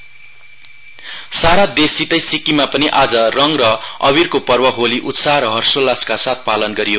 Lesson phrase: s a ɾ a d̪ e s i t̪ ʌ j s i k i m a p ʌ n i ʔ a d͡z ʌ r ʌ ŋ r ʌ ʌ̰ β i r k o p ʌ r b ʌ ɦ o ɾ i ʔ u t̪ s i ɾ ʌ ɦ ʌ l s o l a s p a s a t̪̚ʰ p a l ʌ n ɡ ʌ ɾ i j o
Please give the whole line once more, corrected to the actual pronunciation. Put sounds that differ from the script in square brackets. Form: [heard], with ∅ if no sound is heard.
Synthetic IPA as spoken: s a ɾ a d̪ e s i t̪ ʌ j s i k i m a p ʌ n i ʔ a d͡z ʌ r ʌ ŋ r ʌ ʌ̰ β i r k o p ʌ r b ʌ ɦ o [l] i ʔ u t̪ s [a] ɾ ʌ ɦ ʌ [r] s o l a s [k] a s a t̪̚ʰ p a l ʌ n ɡ ʌ ɾ i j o